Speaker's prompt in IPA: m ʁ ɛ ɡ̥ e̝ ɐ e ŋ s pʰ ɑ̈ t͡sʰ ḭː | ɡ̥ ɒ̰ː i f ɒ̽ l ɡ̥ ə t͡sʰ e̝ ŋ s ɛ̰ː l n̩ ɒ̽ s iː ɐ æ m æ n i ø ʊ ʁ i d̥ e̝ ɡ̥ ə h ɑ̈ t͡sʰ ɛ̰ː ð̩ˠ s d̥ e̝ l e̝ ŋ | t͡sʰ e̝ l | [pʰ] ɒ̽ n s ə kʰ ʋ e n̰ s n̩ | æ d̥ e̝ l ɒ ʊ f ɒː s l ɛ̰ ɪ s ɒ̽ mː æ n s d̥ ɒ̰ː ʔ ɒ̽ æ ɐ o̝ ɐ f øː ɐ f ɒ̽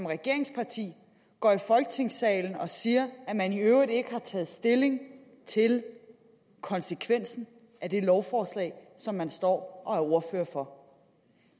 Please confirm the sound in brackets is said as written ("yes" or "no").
no